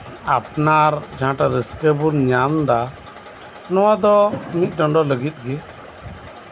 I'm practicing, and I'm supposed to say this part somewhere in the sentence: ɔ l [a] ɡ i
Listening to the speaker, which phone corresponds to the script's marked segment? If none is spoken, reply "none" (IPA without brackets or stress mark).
ə